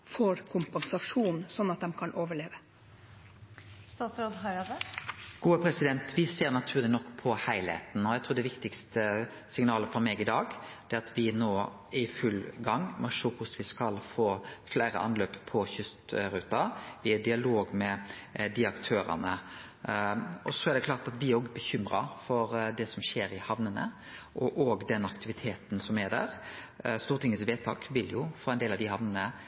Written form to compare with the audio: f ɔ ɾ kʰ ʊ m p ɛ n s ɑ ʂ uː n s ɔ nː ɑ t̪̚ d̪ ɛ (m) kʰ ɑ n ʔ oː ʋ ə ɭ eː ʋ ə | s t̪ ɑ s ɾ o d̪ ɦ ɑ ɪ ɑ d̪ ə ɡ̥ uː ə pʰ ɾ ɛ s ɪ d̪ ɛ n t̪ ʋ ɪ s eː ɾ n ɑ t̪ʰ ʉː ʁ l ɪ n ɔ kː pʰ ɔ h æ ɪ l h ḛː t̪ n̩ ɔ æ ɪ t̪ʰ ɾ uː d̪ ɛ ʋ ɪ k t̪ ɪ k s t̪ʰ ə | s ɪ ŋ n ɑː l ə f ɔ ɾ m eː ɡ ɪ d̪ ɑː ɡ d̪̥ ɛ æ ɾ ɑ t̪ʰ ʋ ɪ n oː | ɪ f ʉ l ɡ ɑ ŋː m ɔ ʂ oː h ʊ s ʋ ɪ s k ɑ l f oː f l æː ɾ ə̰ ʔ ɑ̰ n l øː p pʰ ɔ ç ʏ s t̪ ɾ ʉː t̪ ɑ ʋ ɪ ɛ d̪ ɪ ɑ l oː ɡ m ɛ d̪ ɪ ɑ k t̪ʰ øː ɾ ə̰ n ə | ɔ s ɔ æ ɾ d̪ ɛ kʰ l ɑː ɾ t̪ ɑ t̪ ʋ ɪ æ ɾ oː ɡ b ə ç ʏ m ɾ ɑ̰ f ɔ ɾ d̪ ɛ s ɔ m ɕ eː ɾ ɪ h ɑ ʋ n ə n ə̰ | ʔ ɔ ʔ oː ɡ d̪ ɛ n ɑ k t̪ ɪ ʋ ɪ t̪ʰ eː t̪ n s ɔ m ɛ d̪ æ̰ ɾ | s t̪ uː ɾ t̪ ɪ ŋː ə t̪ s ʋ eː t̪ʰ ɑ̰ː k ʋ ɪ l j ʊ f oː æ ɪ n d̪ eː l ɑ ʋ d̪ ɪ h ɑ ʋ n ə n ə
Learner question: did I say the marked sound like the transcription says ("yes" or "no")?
yes